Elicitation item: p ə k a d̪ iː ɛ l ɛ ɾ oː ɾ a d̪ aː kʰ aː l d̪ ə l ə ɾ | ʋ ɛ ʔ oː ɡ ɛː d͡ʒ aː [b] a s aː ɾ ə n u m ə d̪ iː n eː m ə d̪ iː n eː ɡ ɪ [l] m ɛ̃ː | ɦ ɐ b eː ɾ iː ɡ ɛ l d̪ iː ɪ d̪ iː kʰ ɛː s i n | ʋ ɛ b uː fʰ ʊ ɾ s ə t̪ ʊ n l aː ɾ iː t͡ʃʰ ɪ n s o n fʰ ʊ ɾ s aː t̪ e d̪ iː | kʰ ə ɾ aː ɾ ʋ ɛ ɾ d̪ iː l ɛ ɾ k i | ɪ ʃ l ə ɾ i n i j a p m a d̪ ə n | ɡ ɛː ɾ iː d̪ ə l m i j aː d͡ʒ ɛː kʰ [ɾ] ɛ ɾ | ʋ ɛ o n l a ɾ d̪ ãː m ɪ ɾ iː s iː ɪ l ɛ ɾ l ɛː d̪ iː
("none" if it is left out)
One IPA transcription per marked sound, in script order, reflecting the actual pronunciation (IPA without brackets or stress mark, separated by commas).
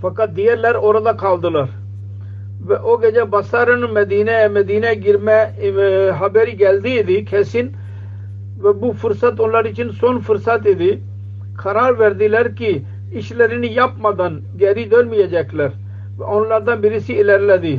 b, ɾ, l